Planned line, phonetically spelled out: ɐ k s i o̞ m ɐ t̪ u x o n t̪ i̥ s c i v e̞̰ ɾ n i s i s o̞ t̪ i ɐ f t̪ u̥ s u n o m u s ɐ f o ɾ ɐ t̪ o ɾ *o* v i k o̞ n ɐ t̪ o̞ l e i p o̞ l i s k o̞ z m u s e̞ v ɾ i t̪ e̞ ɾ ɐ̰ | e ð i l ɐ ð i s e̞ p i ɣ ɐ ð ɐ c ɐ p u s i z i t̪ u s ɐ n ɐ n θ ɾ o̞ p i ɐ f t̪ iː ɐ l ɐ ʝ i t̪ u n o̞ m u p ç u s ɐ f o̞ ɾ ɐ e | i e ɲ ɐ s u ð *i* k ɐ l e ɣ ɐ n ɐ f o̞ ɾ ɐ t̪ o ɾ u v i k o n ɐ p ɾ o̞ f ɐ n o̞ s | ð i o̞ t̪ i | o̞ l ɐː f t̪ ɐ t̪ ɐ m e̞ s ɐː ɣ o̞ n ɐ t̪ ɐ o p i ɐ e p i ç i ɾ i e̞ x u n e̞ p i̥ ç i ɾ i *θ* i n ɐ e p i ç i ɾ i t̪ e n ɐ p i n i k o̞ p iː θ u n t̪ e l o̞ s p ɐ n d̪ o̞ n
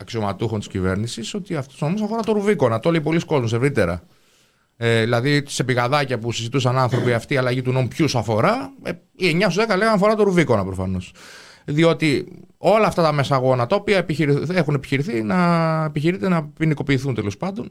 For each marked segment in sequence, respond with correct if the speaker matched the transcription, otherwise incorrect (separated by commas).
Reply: incorrect, incorrect, correct